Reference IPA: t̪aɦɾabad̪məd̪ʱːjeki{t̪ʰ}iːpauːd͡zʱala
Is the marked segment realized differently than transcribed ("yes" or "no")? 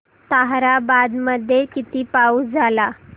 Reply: yes